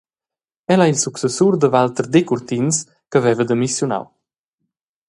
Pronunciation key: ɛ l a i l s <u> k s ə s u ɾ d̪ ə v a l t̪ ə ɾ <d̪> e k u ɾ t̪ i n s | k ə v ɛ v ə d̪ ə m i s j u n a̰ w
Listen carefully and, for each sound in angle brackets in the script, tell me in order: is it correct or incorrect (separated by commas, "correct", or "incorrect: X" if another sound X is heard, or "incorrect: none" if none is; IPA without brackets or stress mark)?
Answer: correct, correct